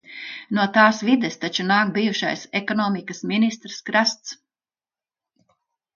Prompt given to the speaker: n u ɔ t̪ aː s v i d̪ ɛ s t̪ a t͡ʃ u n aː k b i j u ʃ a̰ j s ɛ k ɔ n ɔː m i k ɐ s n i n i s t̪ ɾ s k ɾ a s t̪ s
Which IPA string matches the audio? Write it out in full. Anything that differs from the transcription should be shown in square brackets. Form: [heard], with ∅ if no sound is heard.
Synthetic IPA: n u ɔ t̪ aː s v i d̪ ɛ s t̪ a t͡ʃ u n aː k b i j u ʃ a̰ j s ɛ k ɔ n ɔː m i k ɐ s [m] i n i s t̪ ɾ s k ɾ a s t̪ s